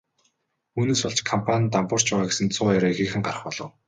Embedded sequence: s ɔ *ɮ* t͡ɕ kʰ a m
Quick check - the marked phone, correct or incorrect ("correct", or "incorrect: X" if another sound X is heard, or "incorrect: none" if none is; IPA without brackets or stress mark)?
correct